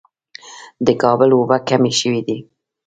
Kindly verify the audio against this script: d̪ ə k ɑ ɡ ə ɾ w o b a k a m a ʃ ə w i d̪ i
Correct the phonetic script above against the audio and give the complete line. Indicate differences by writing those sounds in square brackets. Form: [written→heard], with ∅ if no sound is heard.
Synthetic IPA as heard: d̪ ə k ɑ [ɡ→b] ə [ɾ→l] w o b a k a m [a→e] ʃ ə w i d̪ i